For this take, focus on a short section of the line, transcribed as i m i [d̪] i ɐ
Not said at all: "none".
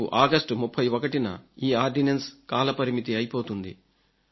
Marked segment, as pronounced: t̪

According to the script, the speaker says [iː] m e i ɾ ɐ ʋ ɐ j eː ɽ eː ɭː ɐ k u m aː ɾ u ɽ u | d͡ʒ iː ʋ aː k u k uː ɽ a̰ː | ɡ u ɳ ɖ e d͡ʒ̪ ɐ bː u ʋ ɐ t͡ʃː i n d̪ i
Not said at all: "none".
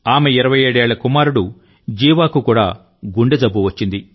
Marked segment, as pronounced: aː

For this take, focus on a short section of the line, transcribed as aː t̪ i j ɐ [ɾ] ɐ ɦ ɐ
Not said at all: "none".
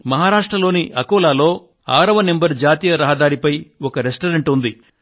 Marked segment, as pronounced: ɾ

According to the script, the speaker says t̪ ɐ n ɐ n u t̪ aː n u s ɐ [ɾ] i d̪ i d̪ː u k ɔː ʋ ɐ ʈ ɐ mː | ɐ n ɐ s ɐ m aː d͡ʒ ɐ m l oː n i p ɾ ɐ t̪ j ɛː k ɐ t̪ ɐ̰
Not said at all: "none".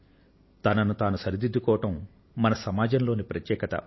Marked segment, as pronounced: ɾ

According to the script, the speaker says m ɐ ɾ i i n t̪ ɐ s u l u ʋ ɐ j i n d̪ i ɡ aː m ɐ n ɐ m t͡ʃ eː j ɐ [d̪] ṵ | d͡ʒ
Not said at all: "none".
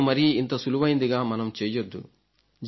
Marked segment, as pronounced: d̪ː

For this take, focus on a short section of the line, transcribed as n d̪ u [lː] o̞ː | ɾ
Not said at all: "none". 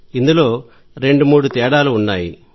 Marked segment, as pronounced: l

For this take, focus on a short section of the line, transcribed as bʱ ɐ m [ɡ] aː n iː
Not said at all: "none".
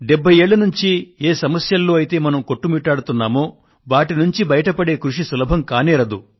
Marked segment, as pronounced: k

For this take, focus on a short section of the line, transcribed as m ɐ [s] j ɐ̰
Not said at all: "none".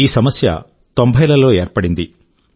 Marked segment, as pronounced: s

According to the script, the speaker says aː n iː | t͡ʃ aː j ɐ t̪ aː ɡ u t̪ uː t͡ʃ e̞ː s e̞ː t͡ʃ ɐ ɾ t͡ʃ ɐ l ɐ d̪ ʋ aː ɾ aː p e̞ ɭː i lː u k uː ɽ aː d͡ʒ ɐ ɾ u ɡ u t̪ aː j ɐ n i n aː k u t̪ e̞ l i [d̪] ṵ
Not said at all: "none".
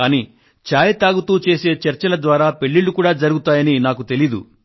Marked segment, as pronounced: d̪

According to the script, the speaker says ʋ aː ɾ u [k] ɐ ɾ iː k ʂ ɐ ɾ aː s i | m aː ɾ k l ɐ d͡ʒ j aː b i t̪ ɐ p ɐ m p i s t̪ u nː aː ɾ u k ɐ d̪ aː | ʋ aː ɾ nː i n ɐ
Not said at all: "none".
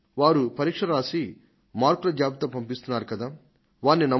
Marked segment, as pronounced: p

